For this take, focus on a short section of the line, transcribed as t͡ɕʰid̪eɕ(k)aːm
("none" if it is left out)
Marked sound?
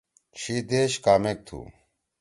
k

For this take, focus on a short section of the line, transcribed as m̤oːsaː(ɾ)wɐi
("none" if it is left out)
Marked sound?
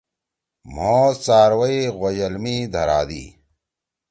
ɾ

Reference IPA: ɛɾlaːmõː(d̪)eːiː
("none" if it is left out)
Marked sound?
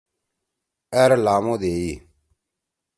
d̪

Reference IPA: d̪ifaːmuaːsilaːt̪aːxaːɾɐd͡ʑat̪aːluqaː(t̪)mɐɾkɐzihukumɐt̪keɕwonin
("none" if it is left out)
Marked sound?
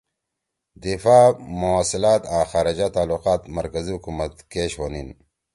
t̪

